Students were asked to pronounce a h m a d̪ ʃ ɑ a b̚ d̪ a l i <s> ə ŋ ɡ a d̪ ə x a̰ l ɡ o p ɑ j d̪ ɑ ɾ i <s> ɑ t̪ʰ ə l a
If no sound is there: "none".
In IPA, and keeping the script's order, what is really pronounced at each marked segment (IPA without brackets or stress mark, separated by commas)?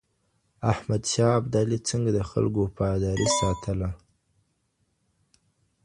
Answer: t͡s, s